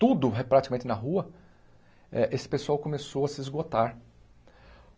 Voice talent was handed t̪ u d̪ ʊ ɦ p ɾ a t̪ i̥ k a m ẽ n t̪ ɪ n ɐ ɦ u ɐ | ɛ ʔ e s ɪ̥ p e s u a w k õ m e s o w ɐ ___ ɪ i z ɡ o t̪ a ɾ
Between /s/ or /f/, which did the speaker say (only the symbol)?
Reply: s